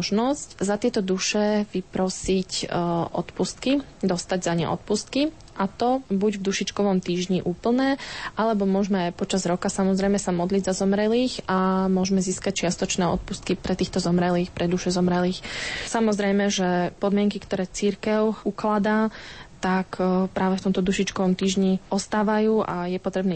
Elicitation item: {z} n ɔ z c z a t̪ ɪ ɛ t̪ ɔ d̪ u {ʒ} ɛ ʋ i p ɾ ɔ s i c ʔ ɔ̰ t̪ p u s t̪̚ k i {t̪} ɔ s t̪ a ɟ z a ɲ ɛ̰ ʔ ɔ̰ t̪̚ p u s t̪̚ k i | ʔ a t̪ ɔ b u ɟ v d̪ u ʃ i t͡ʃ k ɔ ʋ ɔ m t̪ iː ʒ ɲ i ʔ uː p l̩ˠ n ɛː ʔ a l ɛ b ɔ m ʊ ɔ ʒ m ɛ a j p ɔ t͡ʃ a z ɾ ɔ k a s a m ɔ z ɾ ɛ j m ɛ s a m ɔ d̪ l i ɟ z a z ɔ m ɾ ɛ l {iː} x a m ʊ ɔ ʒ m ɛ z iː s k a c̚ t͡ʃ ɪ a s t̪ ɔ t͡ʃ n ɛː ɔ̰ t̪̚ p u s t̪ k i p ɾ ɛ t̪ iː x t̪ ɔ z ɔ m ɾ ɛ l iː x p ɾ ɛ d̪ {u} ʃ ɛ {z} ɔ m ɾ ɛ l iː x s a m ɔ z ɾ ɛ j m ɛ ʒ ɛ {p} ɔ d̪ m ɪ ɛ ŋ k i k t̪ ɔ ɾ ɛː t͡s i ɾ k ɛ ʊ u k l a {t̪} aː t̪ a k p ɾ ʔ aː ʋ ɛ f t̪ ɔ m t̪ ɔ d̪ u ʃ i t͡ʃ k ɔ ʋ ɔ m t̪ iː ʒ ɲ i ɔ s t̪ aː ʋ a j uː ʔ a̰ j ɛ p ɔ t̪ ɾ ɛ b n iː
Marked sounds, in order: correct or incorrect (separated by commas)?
incorrect, incorrect, incorrect, correct, correct, correct, correct, incorrect